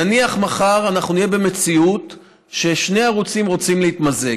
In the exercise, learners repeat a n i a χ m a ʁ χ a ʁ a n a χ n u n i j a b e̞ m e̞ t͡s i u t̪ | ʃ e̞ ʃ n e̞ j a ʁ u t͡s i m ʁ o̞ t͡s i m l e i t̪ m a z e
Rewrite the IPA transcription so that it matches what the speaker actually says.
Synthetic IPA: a n i a χ m a χ a ʁ a n a χ n u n i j e b e̞ m e̞ t͡s i u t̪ | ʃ e̞ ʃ n e̞ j a ʁ u t͡s i m ʁ o̞ t͡s i m l e i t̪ m a z e